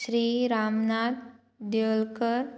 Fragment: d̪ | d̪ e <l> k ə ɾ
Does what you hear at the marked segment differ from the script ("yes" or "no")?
no